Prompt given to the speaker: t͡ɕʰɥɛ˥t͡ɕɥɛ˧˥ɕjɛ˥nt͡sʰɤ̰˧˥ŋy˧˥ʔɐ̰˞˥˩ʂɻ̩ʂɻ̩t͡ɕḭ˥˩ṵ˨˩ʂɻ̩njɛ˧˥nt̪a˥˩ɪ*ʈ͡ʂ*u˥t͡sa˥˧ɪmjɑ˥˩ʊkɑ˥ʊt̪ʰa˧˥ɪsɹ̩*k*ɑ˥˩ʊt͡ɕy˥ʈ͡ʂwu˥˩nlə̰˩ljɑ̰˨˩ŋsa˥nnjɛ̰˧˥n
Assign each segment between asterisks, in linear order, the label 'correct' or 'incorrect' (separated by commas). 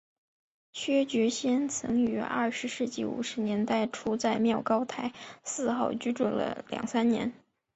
incorrect, incorrect